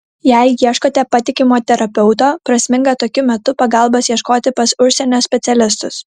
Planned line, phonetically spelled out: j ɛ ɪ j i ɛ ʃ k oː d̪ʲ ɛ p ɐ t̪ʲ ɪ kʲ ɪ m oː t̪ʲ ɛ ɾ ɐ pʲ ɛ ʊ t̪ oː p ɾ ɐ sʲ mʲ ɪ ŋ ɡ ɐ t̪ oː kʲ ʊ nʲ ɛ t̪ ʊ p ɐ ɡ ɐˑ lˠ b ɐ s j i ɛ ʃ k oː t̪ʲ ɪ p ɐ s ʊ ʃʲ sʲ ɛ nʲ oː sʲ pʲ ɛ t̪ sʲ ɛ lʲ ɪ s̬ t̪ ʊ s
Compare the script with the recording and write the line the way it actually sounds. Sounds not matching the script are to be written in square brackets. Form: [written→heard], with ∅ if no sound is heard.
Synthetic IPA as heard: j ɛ ɪ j i ɛ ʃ k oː [d̪ʲ→t̪ʲ] ɛ p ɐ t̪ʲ ɪ kʲ ɪ m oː t̪ʲ ɛ ɾ ɐ pʲ ɛ ʊ t̪ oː p ɾ ɐ sʲ mʲ ɪ ŋ ɡ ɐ t̪ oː kʲ ʊ [nʲ→mʲ] ɛ t̪ ʊ p ɐ ɡ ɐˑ lˠ b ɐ s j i ɛ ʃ k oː t̪ʲ ɪ p ɐ s ʊ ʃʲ sʲ ɛ nʲ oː sʲ pʲ ɛ t̪ sʲ ɛ lʲ ɪ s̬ t̪ ʊ s